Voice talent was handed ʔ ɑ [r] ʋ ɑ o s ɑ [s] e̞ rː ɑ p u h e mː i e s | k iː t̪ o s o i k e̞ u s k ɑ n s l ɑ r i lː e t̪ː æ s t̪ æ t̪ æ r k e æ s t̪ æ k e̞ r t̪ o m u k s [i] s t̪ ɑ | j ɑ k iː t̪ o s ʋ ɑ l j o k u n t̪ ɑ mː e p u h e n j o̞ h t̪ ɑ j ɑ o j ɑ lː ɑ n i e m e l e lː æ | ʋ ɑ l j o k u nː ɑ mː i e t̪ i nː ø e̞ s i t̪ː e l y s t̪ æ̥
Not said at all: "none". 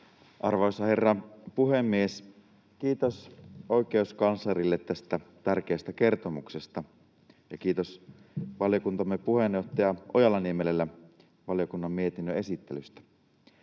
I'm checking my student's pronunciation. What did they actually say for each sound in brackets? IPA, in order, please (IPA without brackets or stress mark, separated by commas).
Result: r, h, e